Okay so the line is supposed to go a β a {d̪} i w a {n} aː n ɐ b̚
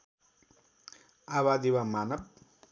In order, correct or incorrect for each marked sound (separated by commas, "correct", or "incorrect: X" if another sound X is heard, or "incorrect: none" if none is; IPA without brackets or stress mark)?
correct, incorrect: m